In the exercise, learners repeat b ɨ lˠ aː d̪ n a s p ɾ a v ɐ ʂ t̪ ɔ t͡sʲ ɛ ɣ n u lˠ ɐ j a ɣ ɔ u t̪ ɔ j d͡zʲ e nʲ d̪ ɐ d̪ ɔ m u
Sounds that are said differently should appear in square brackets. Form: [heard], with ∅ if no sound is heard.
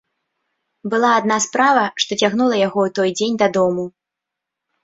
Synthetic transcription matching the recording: b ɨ lˠ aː d̪ n a s p ɾ a v ɐ ʂ t̪ ɔ t͡sʲ [a] ɣ n u lˠ ɐ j a ɣ ɔ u t̪ ɔ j d͡zʲ e nʲ d̪ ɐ d̪ ɔ m u